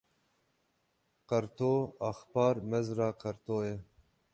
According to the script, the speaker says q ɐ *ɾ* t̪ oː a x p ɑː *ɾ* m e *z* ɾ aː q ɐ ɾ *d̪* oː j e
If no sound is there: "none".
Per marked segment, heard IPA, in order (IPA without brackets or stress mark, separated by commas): ɾ, ɾ, z, t̪